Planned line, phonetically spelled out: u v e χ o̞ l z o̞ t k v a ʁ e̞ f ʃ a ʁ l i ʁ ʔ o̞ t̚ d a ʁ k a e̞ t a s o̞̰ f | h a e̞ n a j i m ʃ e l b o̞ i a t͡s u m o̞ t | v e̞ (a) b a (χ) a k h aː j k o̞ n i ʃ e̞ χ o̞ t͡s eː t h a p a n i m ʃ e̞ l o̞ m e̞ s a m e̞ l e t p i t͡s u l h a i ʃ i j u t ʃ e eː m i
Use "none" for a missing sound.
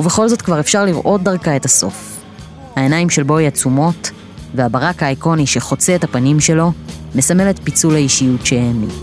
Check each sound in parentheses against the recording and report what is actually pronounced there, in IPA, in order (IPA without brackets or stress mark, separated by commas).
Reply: a, ʁ